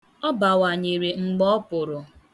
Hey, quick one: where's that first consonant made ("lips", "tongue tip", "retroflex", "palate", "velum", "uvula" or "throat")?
lips